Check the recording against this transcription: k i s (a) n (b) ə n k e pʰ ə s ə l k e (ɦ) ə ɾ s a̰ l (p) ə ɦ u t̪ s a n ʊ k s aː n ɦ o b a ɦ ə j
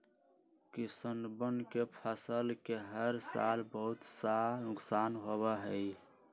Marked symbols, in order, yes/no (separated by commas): no, yes, yes, no